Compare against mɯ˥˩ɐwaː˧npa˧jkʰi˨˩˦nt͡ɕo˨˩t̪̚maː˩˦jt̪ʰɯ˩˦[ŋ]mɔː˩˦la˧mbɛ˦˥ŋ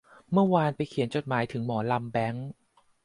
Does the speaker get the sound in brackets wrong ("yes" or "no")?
no